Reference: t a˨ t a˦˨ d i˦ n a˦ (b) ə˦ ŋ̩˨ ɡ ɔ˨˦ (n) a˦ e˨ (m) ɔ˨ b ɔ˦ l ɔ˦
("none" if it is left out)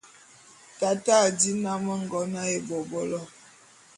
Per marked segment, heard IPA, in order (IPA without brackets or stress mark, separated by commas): m, n, b